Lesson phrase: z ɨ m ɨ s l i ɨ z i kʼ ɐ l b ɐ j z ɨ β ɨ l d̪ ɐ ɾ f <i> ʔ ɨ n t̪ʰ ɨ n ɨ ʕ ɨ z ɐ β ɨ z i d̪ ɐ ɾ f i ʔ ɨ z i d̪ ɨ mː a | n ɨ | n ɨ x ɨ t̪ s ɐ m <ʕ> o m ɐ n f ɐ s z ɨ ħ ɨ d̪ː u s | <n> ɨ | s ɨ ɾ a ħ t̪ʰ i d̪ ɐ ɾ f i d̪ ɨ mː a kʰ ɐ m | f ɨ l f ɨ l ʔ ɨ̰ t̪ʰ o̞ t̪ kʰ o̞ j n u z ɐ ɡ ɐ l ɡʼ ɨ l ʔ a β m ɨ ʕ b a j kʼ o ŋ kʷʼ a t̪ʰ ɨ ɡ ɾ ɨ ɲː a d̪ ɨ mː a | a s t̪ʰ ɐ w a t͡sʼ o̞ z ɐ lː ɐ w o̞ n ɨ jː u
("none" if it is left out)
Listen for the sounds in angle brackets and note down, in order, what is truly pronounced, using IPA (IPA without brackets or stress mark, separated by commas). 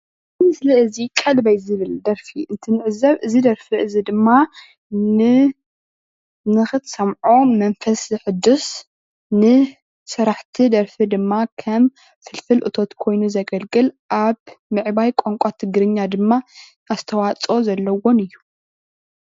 i, ʕ, n